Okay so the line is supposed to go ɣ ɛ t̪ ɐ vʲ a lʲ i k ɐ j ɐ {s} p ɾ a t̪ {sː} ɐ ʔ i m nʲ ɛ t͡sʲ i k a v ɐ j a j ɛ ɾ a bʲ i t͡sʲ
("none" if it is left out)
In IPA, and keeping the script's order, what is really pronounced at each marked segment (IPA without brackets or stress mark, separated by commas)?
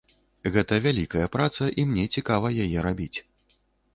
none, s